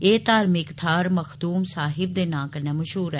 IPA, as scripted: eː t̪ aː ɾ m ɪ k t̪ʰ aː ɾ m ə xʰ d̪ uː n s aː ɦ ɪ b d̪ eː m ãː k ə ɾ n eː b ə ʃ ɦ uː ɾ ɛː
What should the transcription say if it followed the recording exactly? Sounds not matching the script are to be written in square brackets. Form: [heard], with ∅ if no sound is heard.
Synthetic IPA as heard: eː t̪ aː ɾ m ɪ k t̪ʰ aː ɾ m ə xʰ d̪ uː [m] s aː ɦ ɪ b d̪ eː [n] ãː k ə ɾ n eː [m] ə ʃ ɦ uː ɾ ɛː